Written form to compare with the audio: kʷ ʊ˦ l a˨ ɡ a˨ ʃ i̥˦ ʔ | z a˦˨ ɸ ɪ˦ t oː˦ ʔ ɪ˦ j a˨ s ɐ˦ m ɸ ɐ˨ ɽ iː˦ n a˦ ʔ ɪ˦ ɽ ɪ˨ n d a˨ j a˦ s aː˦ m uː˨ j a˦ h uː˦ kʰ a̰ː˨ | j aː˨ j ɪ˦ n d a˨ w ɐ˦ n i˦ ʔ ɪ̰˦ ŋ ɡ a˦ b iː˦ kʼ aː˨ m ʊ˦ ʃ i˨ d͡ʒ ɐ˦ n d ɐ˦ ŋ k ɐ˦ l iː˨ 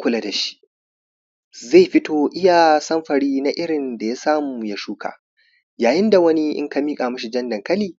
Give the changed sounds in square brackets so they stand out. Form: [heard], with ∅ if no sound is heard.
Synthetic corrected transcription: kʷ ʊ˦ l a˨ [d] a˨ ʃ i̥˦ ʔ | z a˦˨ ɸ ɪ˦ t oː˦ ʔ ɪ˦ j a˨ s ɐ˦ m ɸ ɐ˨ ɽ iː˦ n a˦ ʔ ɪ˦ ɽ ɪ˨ n d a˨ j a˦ s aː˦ m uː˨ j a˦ [ʃ] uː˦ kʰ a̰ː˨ | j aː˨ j ɪ˦ n d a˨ w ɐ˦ n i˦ ʔ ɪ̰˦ ŋ [k] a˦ [m] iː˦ kʼ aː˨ m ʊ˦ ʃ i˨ d͡ʒ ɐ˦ n d [ɐ˨] ŋ k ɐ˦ l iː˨

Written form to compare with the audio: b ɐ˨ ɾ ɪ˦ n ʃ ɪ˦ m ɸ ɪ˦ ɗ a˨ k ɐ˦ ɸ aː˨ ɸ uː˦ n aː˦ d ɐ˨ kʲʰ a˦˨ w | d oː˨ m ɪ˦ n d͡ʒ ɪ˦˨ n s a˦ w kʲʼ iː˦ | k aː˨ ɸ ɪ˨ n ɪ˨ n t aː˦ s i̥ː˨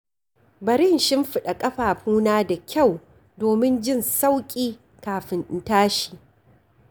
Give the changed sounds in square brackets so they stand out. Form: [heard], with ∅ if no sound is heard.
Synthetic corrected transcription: b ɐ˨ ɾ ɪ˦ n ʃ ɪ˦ m ɸ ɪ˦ ɗ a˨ [kʼ] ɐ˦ ɸ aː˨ ɸ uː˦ n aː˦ d [a˨] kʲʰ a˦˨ w | d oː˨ m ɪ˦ n d͡ʒ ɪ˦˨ n s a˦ w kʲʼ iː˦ | k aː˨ ɸ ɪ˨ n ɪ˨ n t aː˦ [ʃ] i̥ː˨

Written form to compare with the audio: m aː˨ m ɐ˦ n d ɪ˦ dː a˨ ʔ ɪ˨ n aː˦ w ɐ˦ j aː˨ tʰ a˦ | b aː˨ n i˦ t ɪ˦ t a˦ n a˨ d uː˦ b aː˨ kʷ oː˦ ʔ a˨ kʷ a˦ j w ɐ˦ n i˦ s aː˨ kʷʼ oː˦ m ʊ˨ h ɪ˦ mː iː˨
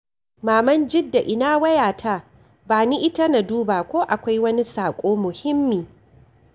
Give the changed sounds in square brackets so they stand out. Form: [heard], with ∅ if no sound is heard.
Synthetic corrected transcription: m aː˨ m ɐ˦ n [d͡ʒ] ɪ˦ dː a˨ ʔ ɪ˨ n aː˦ w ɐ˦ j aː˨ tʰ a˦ | b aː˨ n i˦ [ʔ] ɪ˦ t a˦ n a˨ d uː˦ b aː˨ kʷ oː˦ ʔ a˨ kʷ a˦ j w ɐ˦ n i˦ s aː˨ kʷʼ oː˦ m ʊ˨ h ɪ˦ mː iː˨

